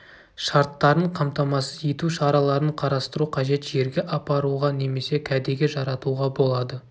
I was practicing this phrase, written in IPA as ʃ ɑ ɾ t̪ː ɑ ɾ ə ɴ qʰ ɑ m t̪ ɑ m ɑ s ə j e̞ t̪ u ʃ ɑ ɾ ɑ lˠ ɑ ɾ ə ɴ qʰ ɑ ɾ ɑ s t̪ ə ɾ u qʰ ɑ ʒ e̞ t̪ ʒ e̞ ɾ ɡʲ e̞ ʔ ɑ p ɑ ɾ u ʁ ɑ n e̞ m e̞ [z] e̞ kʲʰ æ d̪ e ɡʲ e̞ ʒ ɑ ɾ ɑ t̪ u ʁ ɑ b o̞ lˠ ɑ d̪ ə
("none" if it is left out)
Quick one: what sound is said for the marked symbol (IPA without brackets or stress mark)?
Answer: s